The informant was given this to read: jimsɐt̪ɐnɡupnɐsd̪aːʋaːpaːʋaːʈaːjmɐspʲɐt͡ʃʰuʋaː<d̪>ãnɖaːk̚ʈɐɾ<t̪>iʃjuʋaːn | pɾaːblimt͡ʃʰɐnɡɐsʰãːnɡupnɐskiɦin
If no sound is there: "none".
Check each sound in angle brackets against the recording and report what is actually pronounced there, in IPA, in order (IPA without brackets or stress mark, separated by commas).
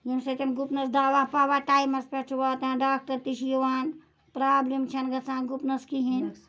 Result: t̪, t̪